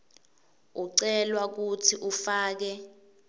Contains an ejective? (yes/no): no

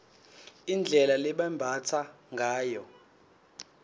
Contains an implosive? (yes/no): yes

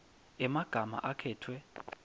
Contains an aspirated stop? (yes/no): yes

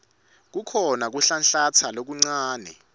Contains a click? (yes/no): yes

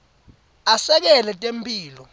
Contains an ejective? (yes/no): yes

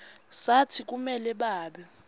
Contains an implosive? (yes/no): yes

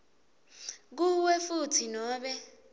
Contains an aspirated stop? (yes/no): yes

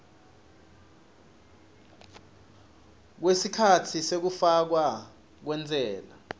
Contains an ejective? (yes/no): no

